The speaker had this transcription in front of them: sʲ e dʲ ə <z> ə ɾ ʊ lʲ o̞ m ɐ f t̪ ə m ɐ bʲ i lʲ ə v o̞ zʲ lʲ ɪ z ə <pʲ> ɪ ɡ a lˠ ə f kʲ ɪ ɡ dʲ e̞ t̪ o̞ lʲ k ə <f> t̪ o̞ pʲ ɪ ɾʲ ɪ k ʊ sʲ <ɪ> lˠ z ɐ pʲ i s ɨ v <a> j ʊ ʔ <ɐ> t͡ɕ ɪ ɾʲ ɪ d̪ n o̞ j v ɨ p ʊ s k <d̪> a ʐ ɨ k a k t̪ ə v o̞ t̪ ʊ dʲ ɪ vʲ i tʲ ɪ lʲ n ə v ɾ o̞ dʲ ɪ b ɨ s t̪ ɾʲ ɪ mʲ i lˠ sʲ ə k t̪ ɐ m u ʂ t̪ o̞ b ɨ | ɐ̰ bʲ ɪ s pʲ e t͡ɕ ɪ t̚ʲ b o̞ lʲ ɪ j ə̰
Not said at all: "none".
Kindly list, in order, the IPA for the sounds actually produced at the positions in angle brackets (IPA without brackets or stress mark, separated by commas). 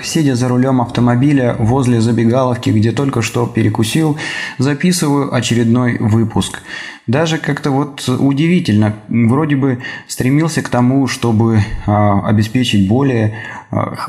z, bʲ, ʂ, i, ə, ɐ, d̪